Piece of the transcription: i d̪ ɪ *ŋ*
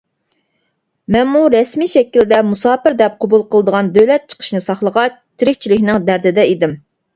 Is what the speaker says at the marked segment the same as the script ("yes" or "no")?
no